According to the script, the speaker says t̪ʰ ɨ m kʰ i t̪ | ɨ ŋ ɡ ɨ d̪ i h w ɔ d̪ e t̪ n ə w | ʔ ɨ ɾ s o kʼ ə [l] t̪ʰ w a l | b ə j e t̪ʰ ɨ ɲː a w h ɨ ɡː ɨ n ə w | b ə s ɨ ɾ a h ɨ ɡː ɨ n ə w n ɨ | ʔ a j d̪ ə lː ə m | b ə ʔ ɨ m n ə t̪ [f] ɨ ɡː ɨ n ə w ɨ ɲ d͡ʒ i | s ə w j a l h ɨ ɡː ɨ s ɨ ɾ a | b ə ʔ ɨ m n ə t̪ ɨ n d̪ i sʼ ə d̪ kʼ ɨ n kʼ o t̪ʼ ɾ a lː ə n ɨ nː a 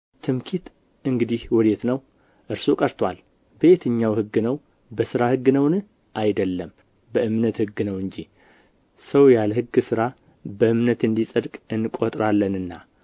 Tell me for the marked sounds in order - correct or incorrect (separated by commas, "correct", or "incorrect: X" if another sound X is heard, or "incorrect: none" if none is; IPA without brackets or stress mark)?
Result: incorrect: ɾ, incorrect: h